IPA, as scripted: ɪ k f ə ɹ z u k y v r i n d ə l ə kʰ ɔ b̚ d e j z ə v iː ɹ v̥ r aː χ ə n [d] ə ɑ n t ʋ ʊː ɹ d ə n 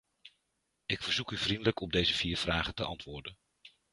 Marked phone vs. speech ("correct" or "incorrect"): incorrect